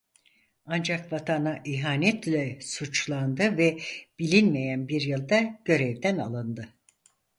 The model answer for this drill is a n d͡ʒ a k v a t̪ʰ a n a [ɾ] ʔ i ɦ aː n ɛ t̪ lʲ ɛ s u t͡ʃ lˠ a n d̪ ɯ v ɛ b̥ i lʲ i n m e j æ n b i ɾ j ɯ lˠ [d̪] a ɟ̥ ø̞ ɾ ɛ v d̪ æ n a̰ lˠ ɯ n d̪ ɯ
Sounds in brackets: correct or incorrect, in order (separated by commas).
incorrect, correct